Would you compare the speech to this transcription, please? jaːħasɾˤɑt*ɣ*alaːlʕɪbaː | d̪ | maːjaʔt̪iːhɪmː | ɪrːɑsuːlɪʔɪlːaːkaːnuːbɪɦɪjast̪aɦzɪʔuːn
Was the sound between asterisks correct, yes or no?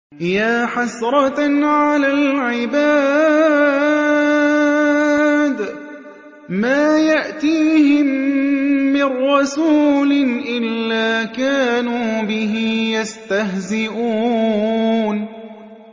no